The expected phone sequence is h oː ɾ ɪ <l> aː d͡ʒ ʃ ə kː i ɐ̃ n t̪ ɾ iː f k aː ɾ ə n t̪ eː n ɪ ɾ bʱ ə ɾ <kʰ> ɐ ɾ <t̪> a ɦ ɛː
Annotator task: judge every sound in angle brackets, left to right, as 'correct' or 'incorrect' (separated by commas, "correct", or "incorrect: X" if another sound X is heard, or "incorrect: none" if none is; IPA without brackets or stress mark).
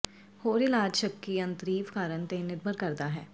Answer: correct, incorrect: k, incorrect: d̪